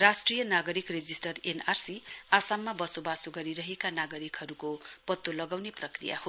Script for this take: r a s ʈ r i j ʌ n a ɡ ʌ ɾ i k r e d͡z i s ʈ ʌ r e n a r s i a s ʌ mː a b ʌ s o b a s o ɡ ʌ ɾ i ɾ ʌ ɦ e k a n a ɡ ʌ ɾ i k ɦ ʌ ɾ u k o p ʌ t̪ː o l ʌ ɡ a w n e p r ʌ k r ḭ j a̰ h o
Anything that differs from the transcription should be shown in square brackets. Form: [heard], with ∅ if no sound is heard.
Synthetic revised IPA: r a s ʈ r i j ʌ n a ɡ ʌ ɾ i k r e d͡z i s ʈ ʌ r e n a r s i a s [a] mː a b ʌ s o b a s o ɡ ʌ ɾ i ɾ ʌ ɦ e k a n a ɡ ʌ ɾ i k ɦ ʌ ɾ u k o p ʌ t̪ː o l ʌ ɡ a w n e p r ʌ k r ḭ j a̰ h o